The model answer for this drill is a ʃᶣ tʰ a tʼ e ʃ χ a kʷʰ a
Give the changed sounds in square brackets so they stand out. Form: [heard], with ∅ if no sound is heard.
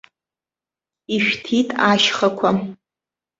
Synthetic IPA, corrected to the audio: [i] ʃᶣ tʰ [i] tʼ [a] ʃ χ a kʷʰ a

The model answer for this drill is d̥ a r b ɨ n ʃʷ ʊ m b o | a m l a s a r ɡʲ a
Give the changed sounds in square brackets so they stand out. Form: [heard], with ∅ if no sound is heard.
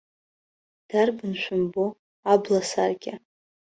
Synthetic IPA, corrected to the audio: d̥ a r b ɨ n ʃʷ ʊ m b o | a [b] l a s a r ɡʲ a

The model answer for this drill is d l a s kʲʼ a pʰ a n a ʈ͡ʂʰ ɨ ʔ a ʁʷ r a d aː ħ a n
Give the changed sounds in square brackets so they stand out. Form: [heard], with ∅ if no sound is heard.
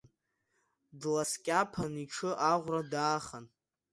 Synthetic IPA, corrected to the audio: d l a s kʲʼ a pʰ a n [i] ʈ͡ʂʰ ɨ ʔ a ʁʷ r a d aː [χ] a n

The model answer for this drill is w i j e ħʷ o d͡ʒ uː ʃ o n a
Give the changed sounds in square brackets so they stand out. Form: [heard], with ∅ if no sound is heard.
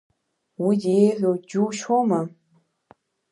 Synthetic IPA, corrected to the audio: w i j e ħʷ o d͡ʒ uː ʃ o [m] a

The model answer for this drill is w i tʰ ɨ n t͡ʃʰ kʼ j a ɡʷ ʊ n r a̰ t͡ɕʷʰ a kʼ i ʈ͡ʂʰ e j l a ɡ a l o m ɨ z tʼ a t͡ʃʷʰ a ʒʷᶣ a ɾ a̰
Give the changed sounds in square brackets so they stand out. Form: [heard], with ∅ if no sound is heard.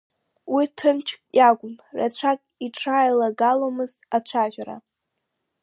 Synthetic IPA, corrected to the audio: w i tʰ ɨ n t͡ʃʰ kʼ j a ɡʷ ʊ n r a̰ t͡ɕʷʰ a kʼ i ʈ͡ʂʰ [a] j l a ɡ a l o m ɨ z tʼ a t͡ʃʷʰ a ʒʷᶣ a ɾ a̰

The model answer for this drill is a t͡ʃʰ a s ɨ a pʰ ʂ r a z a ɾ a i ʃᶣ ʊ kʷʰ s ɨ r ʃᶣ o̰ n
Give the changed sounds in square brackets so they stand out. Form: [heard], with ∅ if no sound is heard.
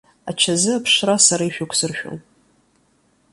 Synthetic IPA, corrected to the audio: a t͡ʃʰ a [z] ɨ a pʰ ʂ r a [s] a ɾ a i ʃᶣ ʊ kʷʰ s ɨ r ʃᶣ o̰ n

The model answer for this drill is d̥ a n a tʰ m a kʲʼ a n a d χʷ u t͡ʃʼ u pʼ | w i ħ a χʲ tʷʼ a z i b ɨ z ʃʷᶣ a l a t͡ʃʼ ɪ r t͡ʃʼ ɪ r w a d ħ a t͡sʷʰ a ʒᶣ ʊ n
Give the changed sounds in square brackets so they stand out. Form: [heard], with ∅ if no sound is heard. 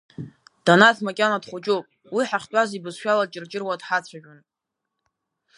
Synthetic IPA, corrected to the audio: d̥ a n a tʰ m a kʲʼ a n a d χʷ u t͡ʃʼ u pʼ | w i ħ a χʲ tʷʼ a z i b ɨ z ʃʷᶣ a l a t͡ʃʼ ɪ r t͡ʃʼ ɪ r w a d ħ a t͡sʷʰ a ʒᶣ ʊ n

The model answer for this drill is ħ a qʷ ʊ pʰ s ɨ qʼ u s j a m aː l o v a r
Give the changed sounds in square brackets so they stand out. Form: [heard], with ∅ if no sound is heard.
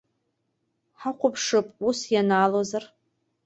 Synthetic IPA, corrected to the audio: ħ a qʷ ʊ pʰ [ʂ] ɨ [pʼ] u s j a [n] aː l o [z] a r

